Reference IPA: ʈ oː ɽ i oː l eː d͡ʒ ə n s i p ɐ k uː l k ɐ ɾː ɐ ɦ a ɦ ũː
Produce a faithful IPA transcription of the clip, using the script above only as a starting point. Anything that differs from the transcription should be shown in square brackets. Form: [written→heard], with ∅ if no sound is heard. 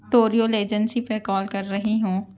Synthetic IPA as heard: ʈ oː [ɽ→ɾ] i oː l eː d͡ʒ ə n s i p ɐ k [uː→ɔː] l k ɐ ɾː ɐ ɦ [a→i] ɦ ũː